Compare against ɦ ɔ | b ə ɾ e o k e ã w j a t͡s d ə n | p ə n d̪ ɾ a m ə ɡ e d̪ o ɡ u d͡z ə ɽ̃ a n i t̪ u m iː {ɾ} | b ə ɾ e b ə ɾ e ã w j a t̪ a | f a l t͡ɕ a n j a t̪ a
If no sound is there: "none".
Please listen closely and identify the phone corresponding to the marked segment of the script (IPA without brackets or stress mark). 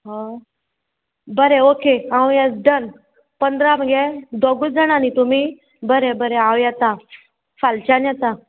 none